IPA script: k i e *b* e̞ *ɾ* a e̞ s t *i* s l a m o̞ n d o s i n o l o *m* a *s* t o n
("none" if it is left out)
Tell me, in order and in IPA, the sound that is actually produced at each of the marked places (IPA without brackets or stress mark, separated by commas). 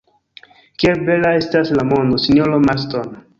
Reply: b, l, a, m, s